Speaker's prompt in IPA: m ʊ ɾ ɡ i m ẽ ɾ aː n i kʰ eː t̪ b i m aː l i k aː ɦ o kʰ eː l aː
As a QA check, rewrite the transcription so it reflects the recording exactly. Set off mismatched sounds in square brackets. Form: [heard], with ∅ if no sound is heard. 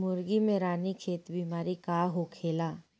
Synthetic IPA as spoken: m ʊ ɾ ɡ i m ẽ ɾ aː n i kʰ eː t̪ b i m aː [ɾ] i k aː ɦ o kʰ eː l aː